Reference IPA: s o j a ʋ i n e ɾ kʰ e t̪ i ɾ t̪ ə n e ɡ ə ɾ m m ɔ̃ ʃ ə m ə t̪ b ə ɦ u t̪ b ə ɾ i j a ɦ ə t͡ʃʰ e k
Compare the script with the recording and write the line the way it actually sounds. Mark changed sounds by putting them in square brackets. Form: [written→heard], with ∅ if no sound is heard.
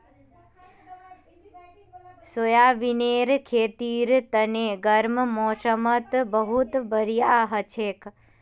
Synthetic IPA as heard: s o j a ʋ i n e ɾ kʰ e t̪ i ɾ t̪ ə n e ɡ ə ɾ m m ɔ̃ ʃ ə m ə t̪ b ə ɦ u t̪ b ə ɾ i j a ɦ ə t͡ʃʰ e k